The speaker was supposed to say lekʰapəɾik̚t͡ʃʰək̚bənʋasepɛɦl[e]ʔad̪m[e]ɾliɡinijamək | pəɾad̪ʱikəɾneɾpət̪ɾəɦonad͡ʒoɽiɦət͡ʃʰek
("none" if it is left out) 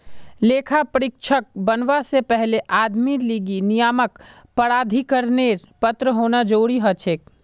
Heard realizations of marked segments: e, i

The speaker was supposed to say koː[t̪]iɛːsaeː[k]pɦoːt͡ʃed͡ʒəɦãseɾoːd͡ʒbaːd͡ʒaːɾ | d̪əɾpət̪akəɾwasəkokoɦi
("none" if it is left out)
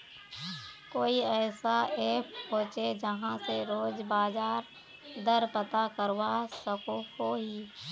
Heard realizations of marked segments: none, none

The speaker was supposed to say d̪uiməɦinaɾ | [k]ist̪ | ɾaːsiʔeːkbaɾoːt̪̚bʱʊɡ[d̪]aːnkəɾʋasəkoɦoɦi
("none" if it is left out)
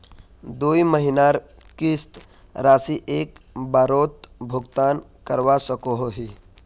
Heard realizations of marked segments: k, t̪

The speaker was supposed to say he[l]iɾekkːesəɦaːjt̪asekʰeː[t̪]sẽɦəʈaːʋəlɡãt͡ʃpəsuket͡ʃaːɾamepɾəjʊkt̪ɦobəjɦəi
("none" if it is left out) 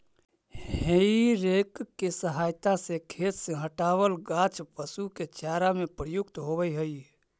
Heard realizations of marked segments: none, t̪

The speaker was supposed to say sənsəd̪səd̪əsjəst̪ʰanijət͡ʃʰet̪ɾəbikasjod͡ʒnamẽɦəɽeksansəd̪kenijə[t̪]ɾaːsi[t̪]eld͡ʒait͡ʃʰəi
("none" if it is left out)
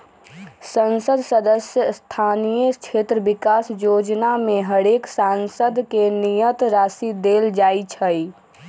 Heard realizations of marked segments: t̪, d̪

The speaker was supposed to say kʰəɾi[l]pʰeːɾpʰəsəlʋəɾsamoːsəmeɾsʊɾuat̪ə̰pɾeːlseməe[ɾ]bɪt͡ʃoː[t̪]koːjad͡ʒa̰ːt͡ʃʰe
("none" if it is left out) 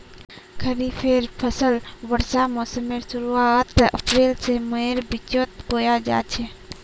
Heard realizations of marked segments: none, ɾ, t̪

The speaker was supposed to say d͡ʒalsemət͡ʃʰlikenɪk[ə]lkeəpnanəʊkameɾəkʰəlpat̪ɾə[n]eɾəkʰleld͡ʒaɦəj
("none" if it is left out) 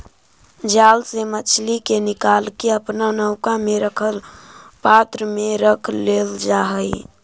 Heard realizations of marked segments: a, m

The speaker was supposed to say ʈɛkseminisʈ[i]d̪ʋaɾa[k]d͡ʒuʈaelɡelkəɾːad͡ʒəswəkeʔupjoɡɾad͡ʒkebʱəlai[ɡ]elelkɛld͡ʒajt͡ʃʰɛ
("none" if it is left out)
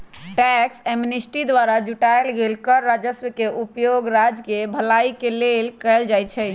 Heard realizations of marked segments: i, none, k

